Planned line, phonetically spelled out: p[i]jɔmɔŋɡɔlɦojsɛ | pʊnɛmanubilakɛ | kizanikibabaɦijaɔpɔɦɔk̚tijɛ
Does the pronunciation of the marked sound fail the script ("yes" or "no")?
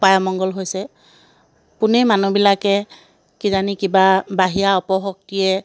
yes